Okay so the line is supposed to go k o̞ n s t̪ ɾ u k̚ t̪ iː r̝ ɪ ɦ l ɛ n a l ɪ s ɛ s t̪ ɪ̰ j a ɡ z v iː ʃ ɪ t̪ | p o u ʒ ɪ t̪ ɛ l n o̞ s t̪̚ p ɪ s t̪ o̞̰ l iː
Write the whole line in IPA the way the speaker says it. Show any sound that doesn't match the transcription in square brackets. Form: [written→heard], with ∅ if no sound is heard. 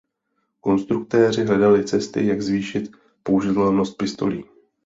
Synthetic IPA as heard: k o̞ n s t̪ ɾ u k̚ t̪ [iː→ɛː] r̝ ɪ ɦ l ɛ [n→d] a l ɪ [s→t͡s] ɛ s t̪ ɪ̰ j a ɡ z v iː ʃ ɪ t̪ | p o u ʒ ɪ t̪ ɛ l n o̞ s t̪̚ p ɪ s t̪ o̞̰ l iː